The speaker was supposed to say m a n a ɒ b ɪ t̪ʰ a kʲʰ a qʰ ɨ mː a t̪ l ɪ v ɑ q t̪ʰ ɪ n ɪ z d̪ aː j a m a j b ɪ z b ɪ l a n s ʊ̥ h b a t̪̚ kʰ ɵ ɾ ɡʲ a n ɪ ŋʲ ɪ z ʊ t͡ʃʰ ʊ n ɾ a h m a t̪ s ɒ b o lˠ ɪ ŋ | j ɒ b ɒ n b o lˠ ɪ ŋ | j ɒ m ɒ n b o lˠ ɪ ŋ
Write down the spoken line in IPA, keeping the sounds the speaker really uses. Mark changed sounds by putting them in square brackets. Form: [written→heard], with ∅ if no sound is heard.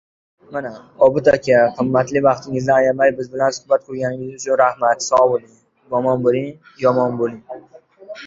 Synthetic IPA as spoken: m a n a ɒ b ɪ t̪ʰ a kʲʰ a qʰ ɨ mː a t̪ l ɪ v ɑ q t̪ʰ ɪ [n→ŋ] ɪ z d̪ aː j a m a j b ɪ z b ɪ l a n s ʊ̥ h b a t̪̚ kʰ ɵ ɾ ɡʲ a n ɪ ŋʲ ɪ z ʊ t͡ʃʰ ʊ n ɾ a h m a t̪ s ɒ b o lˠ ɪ ŋ | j ɒ [b→m] ɒ n b o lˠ ɪ ŋ | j ɒ m ɒ n b o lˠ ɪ ŋ